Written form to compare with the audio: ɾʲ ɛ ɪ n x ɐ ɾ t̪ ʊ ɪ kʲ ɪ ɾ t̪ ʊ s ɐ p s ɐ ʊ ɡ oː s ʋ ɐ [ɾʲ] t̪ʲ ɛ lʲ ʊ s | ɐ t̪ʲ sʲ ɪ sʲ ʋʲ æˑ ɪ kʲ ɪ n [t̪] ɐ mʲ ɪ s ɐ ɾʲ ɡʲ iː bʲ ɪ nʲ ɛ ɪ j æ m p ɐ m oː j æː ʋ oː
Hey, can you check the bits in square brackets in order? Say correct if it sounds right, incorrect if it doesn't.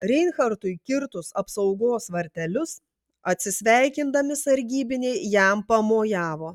correct, incorrect

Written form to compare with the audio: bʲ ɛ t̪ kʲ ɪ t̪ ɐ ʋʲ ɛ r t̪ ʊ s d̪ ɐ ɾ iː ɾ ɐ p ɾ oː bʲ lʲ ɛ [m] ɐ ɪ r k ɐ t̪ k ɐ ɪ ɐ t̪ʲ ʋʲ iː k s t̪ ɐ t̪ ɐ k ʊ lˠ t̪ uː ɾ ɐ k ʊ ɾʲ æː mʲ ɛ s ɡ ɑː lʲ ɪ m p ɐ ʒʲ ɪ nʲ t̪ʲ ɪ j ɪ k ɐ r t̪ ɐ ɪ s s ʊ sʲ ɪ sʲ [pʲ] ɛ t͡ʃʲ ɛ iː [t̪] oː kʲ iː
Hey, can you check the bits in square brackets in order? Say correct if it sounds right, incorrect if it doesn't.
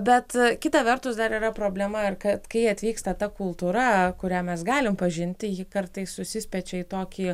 correct, correct, correct

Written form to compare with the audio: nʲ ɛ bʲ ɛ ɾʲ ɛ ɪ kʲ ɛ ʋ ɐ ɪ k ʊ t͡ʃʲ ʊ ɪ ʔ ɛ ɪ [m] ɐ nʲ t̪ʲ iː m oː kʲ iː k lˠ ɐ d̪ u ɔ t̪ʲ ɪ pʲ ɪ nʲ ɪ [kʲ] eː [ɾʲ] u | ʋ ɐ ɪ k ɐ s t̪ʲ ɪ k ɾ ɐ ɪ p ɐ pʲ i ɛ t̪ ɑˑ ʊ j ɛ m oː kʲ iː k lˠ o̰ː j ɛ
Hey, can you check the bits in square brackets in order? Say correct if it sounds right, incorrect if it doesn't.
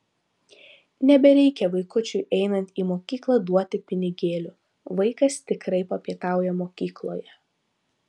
incorrect, incorrect, incorrect

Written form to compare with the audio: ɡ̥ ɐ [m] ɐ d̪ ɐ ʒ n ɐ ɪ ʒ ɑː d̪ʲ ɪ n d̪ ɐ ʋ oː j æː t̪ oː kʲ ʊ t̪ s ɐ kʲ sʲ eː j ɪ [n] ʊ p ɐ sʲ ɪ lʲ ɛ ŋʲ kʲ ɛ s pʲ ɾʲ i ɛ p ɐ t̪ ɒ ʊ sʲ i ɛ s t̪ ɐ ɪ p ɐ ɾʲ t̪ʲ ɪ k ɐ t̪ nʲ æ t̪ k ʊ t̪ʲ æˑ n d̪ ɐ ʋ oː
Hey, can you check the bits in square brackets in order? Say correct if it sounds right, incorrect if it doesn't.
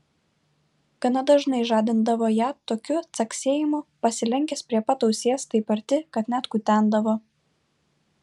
incorrect, incorrect

